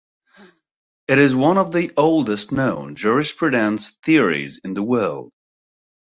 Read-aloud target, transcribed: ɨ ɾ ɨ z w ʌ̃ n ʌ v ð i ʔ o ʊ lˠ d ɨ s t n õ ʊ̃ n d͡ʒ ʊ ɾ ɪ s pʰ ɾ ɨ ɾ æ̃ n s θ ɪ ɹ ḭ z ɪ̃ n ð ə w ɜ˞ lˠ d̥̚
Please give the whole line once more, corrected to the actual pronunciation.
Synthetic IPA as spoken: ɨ ɾ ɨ z w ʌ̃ n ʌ v ð i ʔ o ʊ lˠ d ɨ s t n õ ʊ̃ n d͡ʒ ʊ ɹ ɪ s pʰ ɹ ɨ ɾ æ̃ n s θ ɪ ɹ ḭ z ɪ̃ n ð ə w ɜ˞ lˠ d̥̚